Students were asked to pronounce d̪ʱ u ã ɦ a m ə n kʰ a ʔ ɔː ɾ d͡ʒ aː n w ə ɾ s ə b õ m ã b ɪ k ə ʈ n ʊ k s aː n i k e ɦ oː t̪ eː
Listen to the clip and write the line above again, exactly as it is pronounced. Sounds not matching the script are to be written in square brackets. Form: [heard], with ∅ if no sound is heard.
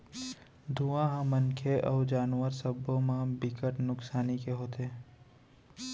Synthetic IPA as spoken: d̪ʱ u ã ɦ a m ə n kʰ [e] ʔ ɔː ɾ d͡ʒ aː n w ə ɾ s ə b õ m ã b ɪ k ə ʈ n ʊ k s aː n i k e ɦ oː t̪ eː